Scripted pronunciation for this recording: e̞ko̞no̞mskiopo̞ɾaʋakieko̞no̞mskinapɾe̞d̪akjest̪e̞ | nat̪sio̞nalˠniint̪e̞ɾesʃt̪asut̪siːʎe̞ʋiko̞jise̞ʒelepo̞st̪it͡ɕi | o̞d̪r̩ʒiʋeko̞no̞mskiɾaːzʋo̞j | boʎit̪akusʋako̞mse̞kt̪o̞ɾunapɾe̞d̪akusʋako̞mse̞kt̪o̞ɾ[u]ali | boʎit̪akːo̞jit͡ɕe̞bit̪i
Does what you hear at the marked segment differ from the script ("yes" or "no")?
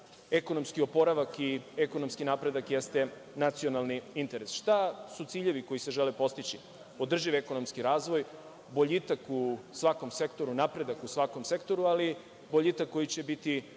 no